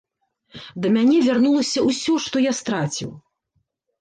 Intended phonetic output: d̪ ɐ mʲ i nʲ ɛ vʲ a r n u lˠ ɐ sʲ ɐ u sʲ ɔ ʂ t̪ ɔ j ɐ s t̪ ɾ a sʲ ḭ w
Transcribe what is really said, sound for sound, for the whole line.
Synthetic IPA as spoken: d̪ ɐ mʲ a nʲ ɛ vʲ a r n u lˠ ɐ sʲ ɐ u sʲ ɔ ʂ t̪ ɔ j a s t̪ ɾ a t͡sʲ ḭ w